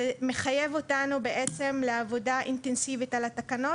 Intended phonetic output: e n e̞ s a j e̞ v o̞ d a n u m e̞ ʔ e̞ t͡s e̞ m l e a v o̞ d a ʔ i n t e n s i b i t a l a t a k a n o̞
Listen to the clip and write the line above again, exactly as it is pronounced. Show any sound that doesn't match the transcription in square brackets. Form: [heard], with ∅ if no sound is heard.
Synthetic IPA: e [m] e̞ [χ] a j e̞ v o̞ [t] a n u [b] e̞ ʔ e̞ t͡s e̞ m l e a v o̞ d a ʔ i n t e n s i [v] i t a l a t a k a n o̞